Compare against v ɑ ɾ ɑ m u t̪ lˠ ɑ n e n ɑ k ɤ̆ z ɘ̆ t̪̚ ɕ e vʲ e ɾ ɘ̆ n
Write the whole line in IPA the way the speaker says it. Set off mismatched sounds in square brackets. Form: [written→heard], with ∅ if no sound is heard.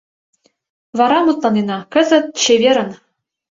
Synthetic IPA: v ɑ ɾ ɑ m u t̪ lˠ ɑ n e n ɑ k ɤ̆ z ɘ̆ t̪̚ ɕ e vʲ e ɾ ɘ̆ n